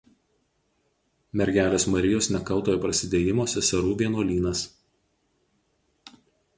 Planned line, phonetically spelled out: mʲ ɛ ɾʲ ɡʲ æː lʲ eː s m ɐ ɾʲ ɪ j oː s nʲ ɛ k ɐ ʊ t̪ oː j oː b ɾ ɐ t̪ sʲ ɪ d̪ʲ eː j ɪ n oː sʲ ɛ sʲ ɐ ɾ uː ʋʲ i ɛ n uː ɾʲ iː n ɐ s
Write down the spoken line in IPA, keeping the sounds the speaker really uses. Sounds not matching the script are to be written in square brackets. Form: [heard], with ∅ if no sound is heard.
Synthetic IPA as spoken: mʲ ɛ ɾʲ ɡʲ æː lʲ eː s m ɐ ɾʲ ɪ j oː s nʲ ɛ k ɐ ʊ t̪ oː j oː [p] ɾ ɐ [∅] sʲ ɪ d̪ʲ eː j ɪ [m] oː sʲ ɛ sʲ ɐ ɾ uː ʋʲ i ɛ n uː [lʲ] iː n ɐ s

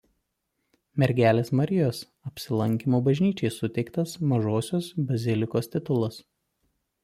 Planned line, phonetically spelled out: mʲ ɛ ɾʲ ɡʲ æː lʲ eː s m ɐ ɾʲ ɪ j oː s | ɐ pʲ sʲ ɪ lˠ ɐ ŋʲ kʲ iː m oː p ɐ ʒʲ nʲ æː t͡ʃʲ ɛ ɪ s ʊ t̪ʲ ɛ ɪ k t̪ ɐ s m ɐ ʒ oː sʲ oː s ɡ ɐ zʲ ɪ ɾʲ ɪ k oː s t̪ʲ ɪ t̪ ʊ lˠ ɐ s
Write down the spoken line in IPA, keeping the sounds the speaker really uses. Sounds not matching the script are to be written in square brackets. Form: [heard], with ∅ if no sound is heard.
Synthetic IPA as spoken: mʲ ɛ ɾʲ ɡʲ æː lʲ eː s m ɐ ɾʲ ɪ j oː s | ɐ pʲ sʲ ɪ lˠ ɐ ŋʲ kʲ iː m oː [b] ɐ ʒʲ nʲ [iː] t͡ʃʲ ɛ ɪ s ʊ t̪ʲ ɛ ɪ k t̪ ɐ s m ɐ ʒ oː sʲ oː s [b] ɐ zʲ ɪ [lʲ] ɪ k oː s t̪ʲ ɪ t̪ ʊ lˠ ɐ s

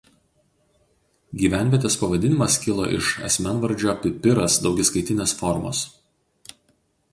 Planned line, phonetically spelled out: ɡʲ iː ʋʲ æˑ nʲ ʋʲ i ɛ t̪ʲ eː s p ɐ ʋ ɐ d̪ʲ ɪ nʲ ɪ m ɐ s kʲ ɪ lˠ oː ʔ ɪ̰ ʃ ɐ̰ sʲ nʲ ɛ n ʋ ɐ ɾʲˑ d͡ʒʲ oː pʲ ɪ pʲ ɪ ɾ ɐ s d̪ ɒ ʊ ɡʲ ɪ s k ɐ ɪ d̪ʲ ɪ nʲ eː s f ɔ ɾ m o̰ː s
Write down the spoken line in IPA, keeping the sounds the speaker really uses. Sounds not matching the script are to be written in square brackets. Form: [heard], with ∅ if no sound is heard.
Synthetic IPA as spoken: ɡʲ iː ʋʲ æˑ nʲ ʋʲ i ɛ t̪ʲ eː s p ɐ ʋ ɐ d̪ʲ ɪ nʲ ɪ m ɐ s kʲ ɪ lˠ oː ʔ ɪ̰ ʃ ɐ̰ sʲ [mʲ] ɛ n ʋ ɐ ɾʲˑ d͡ʒʲ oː pʲ ɪ pʲ ɪ ɾ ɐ s d̪ ɒ ʊ ɡʲ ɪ s k ɐ ɪ [t̪ʲ] ɪ nʲ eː s f ɔ ɾ m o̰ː s

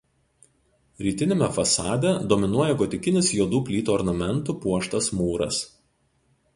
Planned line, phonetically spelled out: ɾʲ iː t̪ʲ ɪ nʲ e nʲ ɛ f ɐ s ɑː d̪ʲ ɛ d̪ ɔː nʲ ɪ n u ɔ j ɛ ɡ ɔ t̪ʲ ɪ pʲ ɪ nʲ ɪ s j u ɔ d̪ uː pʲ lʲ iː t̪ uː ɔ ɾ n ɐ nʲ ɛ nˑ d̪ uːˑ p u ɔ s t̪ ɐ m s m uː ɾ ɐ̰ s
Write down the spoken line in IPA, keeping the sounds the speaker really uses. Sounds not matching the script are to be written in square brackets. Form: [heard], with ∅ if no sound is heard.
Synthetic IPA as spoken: ɾʲ iː t̪ʲ ɪ nʲ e [mʲ] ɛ f ɐ s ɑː d̪ʲ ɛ d̪ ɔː [mʲ] ɪ n u ɔ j ɛ ɡ ɔ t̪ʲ ɪ [kʲ] ɪ nʲ ɪ s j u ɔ d̪ uː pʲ lʲ iː t̪ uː ɔ ɾ n ɐ [mʲ] ɛ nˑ [t̪] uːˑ p u ɔ [ʃ] t̪ ɐ [∅] s m uː ɾ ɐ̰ s

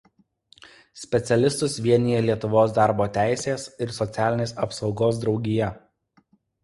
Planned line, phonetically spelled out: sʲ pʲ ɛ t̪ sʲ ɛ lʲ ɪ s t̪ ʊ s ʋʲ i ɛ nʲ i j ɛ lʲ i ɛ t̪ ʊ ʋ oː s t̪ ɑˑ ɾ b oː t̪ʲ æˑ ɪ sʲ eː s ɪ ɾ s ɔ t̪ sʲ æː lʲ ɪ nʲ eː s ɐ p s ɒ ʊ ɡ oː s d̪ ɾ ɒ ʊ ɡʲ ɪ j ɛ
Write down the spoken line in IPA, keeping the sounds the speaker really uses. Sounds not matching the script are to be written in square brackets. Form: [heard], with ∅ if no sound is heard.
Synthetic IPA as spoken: sʲ pʲ ɛ t̪ sʲ ɛ lʲ ɪ s t̪ ʊ s ʋʲ i ɛ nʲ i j ɛ lʲ i ɛ t̪ ʊ ʋ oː s [d̪] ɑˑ ɾ b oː t̪ʲ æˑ ɪ sʲ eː s ɪ ɾ s ɔ t̪ sʲ æː lʲ ɪ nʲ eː s ɐ p s ɒ ʊ ɡ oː s d̪ ɾ ɒ ʊ ɡʲ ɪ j ɛ

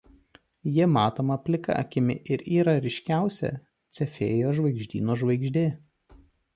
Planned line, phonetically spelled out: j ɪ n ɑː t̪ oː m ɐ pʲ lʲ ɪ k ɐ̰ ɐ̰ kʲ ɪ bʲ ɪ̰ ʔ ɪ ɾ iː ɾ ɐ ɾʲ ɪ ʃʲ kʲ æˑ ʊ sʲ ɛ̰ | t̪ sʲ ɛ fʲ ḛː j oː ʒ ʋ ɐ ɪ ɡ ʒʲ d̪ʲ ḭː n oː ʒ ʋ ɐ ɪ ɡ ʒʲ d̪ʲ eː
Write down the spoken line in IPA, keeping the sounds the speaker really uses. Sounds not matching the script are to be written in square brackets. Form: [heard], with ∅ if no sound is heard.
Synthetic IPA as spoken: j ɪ [m] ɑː t̪ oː m ɐ pʲ lʲ ɪ k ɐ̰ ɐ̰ kʲ ɪ [mʲ] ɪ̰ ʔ ɪ ɾ iː ɾ ɐ ɾʲ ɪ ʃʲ kʲ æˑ ʊ sʲ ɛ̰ | t̪ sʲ ɛ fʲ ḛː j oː ʒ ʋ ɐ ɪ ɡ ʒʲ d̪ʲ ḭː n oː ʒ ʋ ɐ ɪ ɡ ʒʲ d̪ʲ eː

